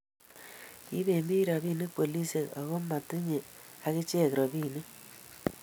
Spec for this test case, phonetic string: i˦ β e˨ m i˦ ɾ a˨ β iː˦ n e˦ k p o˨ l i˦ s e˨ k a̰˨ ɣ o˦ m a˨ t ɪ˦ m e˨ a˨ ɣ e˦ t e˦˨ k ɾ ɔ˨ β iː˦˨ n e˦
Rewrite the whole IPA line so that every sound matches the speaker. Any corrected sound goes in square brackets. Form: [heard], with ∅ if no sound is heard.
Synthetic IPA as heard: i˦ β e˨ m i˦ ɾ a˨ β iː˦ n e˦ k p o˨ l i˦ s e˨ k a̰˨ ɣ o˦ m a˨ t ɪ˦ [ɲ] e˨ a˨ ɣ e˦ [t͡ʃ] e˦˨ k ɾ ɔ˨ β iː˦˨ n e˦